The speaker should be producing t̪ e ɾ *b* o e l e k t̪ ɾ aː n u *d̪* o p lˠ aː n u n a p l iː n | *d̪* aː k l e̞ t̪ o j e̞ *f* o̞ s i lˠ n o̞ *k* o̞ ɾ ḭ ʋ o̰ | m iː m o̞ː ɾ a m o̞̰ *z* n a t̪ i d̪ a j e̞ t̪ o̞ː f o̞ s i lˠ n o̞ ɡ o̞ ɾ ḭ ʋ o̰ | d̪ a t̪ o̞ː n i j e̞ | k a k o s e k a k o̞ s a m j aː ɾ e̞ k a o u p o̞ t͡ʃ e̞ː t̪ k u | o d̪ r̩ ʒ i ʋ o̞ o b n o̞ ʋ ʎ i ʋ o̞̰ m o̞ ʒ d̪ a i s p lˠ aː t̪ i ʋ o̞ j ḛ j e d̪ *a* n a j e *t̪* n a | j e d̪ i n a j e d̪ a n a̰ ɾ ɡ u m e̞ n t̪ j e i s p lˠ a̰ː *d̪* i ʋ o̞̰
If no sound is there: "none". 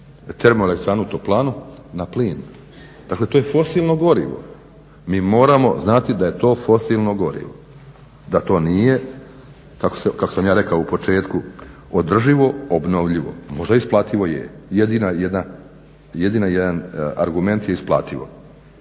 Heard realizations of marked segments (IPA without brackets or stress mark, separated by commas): m, t̪, d̪, f, ɡ, z, i, d̪, t̪